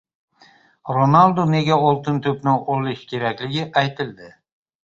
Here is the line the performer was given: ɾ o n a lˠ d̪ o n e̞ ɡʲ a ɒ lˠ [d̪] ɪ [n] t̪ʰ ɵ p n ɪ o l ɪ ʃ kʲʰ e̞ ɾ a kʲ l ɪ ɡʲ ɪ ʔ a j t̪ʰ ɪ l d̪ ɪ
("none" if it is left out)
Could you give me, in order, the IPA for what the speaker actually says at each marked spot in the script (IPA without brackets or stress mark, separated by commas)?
t̪, n